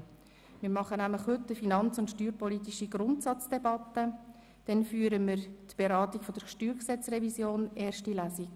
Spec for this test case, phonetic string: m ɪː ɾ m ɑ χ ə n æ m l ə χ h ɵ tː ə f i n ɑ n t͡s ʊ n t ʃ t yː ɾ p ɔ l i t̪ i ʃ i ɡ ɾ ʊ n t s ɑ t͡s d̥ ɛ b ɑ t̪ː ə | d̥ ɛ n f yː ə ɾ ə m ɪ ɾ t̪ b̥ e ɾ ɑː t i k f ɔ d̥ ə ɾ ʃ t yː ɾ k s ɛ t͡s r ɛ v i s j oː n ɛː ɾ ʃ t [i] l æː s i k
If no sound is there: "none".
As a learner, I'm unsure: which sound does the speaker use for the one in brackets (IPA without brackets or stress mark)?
i